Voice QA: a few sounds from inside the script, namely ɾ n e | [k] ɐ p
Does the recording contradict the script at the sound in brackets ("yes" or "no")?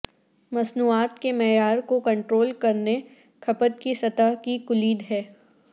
yes